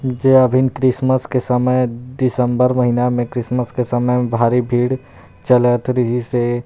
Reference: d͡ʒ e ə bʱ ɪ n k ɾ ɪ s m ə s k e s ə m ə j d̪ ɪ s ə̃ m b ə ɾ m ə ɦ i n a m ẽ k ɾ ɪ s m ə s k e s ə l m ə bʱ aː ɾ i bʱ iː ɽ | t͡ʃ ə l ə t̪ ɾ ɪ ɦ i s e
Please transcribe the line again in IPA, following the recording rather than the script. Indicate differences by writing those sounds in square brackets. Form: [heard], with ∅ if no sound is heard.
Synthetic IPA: d͡ʒ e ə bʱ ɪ n k ɾ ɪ s m ə s k e s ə m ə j d̪ ɪ s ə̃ m b ə ɾ m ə ɦ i n a m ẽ k ɾ ɪ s m ə s k e s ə [∅] m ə bʱ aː ɾ i bʱ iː ɽ | t͡ʃ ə l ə t̪ ɾ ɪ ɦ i s e